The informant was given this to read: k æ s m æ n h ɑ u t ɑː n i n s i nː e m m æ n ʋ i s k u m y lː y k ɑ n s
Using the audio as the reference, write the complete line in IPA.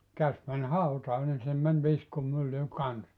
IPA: k æ s m æ n h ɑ u t ɑː n i n s i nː e m m æ n ʋ i s k u m y lː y k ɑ n s